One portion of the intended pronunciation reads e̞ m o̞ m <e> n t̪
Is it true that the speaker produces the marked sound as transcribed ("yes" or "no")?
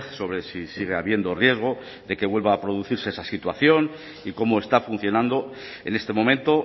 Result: no